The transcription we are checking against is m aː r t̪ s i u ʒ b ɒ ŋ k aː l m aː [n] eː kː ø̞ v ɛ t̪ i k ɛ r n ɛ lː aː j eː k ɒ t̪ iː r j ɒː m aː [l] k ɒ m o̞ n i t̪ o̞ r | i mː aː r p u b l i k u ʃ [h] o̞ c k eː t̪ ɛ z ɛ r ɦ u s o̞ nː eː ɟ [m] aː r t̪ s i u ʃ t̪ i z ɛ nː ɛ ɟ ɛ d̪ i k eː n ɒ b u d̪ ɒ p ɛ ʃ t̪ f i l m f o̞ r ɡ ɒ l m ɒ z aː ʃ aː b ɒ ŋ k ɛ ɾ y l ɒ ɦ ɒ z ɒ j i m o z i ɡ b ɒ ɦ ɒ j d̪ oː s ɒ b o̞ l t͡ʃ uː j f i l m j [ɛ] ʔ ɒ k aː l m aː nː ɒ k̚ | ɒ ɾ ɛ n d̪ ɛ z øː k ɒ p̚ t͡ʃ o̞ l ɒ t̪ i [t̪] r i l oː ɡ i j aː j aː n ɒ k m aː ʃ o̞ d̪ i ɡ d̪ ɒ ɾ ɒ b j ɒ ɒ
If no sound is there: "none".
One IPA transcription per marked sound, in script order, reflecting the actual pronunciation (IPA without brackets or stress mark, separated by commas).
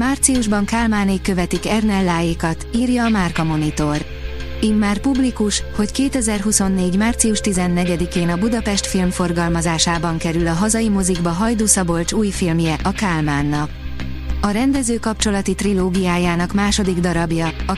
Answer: n, r, h, m, ɛ, t̪